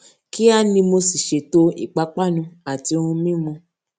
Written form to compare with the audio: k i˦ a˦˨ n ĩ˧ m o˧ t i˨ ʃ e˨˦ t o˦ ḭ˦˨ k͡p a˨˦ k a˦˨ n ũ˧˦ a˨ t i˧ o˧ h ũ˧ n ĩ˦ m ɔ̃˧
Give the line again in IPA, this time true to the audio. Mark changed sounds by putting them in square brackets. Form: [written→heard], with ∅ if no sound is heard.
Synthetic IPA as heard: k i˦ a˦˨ n ĩ˧ m o˧ [t→s] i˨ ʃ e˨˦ t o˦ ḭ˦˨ k͡p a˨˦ [k→k͡p] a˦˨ n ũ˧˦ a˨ t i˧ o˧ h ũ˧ [n→m] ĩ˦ m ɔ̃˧